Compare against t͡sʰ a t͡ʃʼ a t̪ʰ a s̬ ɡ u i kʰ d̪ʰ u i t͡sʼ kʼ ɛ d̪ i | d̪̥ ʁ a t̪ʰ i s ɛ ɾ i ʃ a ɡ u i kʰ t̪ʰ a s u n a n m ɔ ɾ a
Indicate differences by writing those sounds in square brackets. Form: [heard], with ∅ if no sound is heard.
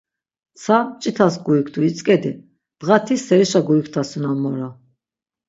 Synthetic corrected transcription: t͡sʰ a t͡ʃʼ [i] t̪ʰ a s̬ ɡ u i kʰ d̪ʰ u i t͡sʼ kʼ ɛ d̪ i | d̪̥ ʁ a t̪ʰ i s ɛ ɾ i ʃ a ɡ u i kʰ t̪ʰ a s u n a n m ɔ ɾ a

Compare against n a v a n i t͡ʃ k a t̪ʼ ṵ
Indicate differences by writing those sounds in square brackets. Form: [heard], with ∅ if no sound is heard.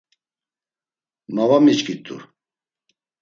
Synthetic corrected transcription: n a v a [m] i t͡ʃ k [i] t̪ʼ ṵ

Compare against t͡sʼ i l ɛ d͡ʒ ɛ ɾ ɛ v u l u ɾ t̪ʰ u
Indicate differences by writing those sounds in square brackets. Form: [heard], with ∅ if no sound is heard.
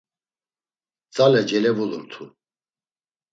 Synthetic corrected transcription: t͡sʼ [a] l ɛ d͡ʒ ɛ [l] ɛ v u l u ɾ t̪ʰ u

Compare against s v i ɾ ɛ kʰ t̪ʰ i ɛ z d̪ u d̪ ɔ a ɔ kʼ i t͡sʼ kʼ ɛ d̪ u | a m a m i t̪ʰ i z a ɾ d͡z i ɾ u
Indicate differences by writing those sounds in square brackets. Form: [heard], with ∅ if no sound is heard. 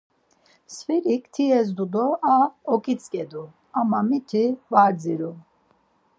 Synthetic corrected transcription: s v i ɾ [i] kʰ t̪ʰ i ɛ z d̪ u d̪ ɔ a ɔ kʼ i t͡sʼ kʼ ɛ d̪ u | a m a m i t̪ʰ i [v] a ɾ d͡z i ɾ u

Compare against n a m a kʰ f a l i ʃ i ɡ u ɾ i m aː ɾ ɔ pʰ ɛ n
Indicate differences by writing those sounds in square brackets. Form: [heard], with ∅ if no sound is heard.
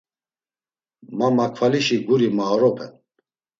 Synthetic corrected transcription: [m] a m a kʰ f a l i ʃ i ɡ u ɾ i m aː ɾ ɔ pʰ ɛ n

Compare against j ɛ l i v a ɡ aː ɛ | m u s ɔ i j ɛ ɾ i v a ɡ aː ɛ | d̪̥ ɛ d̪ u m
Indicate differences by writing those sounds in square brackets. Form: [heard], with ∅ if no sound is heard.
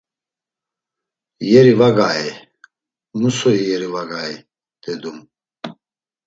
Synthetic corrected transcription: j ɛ [ɾ] i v a ɡ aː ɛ | m u s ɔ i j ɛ ɾ i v a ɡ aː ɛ | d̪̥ ɛ d̪ u m

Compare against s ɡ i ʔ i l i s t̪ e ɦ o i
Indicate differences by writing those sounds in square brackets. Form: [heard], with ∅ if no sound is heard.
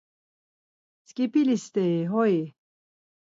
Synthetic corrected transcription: s [k] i [p] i l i s t̪ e ɦ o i

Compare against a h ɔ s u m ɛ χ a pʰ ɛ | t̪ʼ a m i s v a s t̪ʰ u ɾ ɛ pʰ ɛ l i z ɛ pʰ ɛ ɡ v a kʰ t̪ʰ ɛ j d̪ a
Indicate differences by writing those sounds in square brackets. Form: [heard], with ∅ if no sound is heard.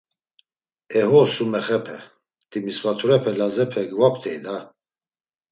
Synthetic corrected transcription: [ɛ] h ɔ s u m ɛ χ [ɛ] pʰ ɛ | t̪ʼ [i] m i s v a [∅] t̪ʰ u ɾ ɛ pʰ ɛ l [a] z ɛ pʰ ɛ ɡ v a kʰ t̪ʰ ɛ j d̪ a

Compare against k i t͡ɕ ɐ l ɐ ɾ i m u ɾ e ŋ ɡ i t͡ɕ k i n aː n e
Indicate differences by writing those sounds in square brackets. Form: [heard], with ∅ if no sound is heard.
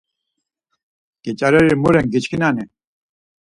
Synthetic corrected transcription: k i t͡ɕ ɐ [ɾ] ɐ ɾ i m u ɾ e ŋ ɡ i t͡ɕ k i n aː n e

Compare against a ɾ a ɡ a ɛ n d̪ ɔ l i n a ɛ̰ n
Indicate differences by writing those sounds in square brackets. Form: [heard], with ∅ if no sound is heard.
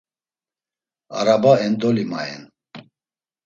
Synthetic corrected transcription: a ɾ a [b] a ɛ n d̪ ɔ l i [m] a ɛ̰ n

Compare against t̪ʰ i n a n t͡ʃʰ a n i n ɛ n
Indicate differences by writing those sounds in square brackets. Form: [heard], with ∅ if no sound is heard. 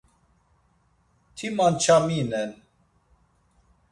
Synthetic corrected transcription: t̪ʰ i [m] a n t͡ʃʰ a [m] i n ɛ n

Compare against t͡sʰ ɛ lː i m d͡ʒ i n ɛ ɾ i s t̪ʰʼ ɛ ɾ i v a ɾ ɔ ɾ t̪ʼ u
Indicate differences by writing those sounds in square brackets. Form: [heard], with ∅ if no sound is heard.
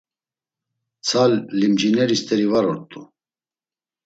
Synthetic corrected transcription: t͡sʰ [a] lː i m d͡ʒ i n ɛ ɾ i s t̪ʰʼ ɛ ɾ i v a ɾ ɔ ɾ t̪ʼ u

